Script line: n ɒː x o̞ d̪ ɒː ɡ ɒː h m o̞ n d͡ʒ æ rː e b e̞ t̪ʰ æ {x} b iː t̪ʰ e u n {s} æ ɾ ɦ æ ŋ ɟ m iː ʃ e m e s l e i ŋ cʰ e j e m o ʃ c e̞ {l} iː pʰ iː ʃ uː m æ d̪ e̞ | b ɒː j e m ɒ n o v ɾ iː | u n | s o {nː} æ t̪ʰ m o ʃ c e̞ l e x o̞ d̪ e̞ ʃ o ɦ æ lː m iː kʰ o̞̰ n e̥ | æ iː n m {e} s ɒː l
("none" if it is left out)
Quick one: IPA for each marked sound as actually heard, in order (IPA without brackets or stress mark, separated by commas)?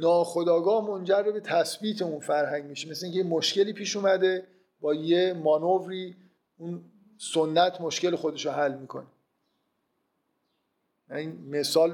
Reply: s, f, l, nː, e